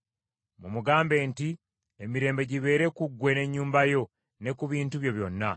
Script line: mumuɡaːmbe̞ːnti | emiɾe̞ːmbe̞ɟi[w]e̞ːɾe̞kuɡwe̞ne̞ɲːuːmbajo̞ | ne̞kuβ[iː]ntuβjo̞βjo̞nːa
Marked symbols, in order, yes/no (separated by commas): no, yes